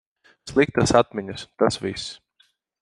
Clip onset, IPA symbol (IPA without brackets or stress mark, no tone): s